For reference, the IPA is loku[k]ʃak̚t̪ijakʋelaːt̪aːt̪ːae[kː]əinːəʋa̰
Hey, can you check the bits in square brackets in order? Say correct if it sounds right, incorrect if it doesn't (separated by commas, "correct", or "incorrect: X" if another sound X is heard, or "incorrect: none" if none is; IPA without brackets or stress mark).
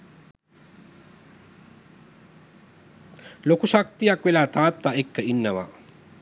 incorrect: none, correct